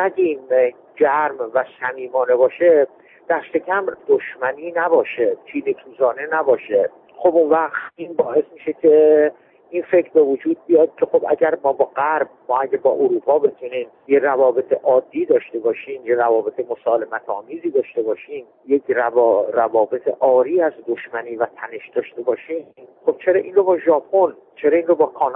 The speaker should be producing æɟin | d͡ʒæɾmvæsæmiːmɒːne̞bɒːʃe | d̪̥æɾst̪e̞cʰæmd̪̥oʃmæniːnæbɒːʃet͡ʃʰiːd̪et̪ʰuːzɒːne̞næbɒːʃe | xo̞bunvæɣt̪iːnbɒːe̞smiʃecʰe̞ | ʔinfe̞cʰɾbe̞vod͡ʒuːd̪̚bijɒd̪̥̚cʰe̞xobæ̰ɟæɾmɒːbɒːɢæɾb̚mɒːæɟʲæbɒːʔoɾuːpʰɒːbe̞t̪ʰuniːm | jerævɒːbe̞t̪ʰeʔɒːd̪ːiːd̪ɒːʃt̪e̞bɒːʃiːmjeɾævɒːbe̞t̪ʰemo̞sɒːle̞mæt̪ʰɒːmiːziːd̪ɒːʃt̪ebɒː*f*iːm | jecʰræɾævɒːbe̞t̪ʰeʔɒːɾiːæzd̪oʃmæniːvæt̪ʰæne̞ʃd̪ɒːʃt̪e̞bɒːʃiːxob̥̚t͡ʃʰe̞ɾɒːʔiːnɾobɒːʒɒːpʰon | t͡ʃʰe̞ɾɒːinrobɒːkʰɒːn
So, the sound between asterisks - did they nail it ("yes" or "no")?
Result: no